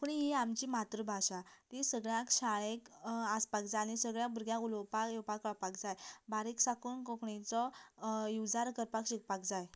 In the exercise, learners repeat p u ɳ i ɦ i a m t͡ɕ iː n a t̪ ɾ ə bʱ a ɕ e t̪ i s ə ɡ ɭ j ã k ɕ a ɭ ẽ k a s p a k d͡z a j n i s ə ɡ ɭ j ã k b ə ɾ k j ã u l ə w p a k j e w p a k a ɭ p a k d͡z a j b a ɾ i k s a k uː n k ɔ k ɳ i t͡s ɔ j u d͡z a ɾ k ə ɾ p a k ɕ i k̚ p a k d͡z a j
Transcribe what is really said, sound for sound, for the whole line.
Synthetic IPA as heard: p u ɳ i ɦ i a m t͡ɕ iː m a t̪ ɾ ə bʱ a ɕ a t̪ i s ə ɡ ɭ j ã k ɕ a ɭ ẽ k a s p a k d͡z a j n i s ə ɡ ɭ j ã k b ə ɾ ɡ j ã u l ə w p a k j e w p a k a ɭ p a k d͡z a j b a ɾ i k s a k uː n k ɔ k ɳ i t͡s ɔ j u d͡z a ɾ k ə ɾ p a k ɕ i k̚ p a k d͡z a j